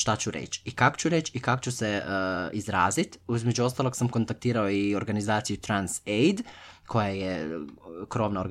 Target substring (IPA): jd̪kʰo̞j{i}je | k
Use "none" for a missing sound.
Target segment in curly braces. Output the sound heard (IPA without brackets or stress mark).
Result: a